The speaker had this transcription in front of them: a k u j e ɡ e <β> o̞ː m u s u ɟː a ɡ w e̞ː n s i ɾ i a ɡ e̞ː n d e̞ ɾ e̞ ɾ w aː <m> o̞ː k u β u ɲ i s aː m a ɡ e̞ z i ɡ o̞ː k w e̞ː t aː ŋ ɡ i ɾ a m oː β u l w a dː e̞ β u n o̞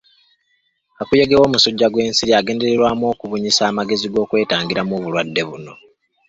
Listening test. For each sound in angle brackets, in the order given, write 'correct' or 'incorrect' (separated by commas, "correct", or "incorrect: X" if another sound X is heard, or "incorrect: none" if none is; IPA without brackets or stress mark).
incorrect: w, correct